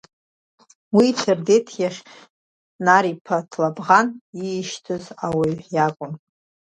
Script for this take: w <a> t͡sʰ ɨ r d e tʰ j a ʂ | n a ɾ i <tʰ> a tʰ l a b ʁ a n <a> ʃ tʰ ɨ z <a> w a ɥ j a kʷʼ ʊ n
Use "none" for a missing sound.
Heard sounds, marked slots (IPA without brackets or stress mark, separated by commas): i, pʰ, i, a